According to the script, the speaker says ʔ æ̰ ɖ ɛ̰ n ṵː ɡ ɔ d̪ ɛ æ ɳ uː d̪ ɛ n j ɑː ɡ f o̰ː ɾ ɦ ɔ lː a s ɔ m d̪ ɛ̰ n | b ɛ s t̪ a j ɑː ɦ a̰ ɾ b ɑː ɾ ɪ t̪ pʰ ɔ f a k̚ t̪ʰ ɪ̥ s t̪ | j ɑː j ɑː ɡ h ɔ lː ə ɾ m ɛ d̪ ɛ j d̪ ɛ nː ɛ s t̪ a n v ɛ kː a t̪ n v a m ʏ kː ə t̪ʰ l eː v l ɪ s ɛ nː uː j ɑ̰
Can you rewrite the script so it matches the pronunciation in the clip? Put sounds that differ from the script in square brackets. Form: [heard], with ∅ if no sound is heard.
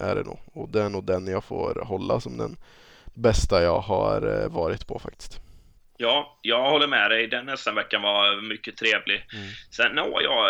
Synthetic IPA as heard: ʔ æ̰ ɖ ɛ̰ n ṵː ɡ ɔ d̪ ɛ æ ɳ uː d̪ ɛ n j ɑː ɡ f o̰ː ɾ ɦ ɔ lː a s ɔ m d̪ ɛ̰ n | b ɛ s t̪ a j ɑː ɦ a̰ ɾ [v] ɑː ɾ ɪ t̪ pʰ ɔ f a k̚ [t̪] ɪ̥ s t̪ | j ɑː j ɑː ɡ h ɔ lː ə ɾ m ɛ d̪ ɛ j d̪ ɛ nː ɛ s t̪ a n v ɛ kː a [∅] n v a m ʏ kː ə t̪ʰ [ɾ] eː v l ɪ s ɛ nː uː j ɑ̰